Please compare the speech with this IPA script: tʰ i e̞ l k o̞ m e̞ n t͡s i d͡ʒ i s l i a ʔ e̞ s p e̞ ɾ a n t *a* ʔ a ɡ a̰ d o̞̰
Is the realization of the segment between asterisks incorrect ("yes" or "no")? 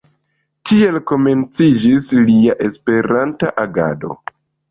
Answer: no